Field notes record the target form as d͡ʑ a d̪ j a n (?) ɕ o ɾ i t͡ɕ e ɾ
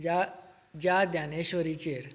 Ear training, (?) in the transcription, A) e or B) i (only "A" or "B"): A